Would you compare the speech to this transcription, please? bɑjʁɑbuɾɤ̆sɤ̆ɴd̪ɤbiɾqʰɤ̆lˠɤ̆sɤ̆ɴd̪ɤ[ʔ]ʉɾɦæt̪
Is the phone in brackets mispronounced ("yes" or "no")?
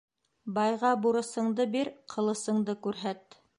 yes